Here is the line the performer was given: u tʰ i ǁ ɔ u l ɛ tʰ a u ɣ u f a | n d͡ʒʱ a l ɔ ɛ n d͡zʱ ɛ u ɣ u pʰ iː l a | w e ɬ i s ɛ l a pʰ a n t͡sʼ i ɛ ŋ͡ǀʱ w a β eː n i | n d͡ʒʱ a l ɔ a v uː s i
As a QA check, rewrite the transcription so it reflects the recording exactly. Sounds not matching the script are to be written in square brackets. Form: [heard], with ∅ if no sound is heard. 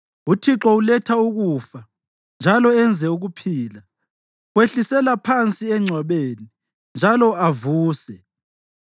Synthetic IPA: u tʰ i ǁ ɔ u l ɛ tʰ a u ɣ u f a | n d͡ʒʱ a l ɔ ɛ n d͡zʱ ɛ u ɣ u pʰ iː l a | w e ɬ i s ɛ l a pʰ a n t͡sʼ i ɛ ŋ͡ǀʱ w a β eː n i | n d͡ʒʱ a l ɔ a v uː s [ɛ]